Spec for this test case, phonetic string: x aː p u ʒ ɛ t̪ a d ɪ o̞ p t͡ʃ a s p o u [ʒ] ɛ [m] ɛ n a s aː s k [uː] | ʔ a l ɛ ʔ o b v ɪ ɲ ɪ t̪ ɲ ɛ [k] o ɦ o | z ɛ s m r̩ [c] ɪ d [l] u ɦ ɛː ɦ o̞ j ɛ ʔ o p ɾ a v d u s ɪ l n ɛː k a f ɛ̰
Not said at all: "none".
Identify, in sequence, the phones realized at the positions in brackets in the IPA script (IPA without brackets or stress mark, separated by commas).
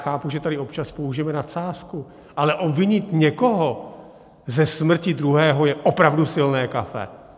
ʒ, m, u, k, c, ɾ